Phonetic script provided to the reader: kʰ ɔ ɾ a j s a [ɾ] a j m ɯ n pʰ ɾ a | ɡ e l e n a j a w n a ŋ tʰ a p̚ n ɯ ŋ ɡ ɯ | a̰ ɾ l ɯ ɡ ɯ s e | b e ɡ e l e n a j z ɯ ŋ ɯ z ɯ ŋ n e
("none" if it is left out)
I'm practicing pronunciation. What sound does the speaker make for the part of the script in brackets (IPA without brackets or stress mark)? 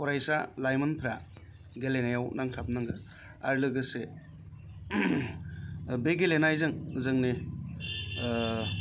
l